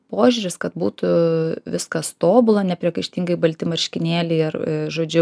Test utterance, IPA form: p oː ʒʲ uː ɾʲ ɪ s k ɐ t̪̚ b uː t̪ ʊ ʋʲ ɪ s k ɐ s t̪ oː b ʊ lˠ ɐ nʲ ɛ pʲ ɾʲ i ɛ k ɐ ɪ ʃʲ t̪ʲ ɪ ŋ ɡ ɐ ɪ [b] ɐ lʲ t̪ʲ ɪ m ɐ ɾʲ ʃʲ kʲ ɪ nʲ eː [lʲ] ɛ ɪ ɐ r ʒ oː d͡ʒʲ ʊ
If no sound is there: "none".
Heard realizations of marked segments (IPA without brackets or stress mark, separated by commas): b, lʲ